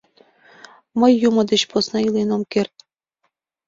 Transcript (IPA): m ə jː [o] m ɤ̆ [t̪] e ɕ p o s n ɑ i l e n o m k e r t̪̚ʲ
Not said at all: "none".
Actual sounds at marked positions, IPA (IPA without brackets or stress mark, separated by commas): u, d̪